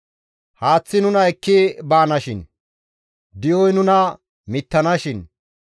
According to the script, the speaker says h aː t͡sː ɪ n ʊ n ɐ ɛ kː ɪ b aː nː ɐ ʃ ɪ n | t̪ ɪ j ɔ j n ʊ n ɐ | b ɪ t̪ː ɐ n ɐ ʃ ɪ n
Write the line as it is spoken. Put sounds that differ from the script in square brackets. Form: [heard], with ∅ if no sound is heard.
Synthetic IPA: h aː t͡sː ɪ n ʊ n ɐ ɛ kː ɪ b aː [n] ɐ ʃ ɪ n | [d̪] ɪ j ɔ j n ʊ n ɐ | [m] ɪ t̪ː ɐ n ɐ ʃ ɪ n

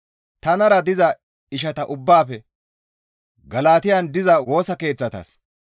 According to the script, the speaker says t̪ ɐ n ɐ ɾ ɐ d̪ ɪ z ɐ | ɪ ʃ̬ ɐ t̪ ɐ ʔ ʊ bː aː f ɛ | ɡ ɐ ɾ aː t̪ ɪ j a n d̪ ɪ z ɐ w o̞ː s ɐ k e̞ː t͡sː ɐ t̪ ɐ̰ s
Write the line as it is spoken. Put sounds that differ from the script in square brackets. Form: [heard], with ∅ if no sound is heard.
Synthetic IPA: t̪ ɐ n ɐ ɾ ɐ d̪ ɪ z ɐ | ɪ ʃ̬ ɐ t̪ ɐ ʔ ʊ bː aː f ɛ | ɡ ɐ [l] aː t̪ ɪ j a n d̪ ɪ z ɐ w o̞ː s ɐ k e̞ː t͡sː ɐ t̪ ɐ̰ s

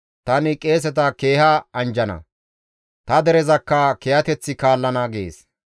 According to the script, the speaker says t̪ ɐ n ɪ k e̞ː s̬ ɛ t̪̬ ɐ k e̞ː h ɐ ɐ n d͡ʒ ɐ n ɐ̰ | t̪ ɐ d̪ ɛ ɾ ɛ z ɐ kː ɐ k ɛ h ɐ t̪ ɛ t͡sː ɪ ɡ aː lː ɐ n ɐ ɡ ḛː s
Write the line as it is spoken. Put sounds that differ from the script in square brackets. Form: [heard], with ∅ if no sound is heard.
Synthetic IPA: t̪ ɐ n ɪ [kʼ] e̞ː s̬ ɛ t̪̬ ɐ k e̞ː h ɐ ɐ n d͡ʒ ɐ n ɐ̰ | t̪ ɐ d̪ ɛ ɾ ɛ z ɐ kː ɐ k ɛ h ɐ t̪ ɛ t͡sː ɪ [k] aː lː ɐ n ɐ ɡ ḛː s

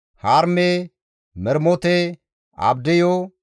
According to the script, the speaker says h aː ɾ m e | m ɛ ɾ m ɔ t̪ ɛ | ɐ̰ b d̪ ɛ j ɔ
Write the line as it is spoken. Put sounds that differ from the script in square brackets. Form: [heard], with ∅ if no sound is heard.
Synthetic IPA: h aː ɾ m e | m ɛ ɾ m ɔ t̪ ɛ | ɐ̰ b d̪ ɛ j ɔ

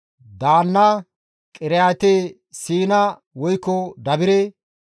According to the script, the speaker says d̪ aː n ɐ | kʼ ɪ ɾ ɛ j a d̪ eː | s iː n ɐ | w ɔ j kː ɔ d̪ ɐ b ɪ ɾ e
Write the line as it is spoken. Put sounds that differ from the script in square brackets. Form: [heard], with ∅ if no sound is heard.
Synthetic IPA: d̪ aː [nː] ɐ | kʼ ɪ ɾ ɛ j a [t̪] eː | s iː n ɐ | w ɔ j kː ɔ d̪ ɐ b ɪ ɾ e

